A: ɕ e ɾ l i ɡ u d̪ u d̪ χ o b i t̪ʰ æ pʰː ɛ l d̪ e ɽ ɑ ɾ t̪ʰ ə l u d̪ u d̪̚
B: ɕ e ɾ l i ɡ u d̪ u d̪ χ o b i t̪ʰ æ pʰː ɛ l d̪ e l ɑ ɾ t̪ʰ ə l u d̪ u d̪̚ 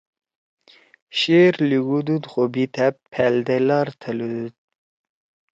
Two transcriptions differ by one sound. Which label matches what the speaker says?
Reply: B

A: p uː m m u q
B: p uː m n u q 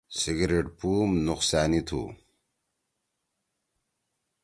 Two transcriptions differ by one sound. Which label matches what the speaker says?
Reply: B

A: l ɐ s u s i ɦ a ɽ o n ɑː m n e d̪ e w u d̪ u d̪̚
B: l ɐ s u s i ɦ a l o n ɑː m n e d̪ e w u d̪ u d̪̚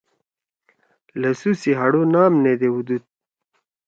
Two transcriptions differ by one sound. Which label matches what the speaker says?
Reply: A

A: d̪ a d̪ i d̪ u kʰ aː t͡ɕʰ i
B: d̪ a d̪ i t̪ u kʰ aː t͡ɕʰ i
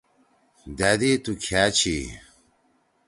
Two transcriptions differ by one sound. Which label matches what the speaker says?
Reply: B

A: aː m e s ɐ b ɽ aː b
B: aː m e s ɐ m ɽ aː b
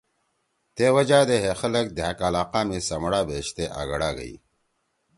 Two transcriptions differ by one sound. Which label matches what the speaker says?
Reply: B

